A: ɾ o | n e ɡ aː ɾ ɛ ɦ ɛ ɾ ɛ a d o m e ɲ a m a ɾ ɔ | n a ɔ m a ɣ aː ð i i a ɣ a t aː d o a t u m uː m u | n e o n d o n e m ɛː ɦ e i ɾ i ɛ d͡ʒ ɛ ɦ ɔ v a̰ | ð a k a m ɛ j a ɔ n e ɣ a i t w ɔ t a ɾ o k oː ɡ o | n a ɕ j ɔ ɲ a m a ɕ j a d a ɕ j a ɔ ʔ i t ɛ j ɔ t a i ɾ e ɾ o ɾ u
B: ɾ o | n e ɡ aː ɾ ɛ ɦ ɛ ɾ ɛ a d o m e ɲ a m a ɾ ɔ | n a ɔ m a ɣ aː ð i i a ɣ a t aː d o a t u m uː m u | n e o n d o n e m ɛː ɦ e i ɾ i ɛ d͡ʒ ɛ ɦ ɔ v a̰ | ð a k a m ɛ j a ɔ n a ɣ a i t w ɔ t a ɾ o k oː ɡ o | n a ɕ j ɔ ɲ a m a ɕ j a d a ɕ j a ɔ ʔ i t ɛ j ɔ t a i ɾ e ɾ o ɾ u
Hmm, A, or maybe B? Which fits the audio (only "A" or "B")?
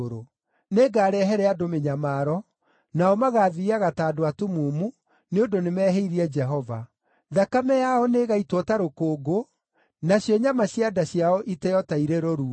A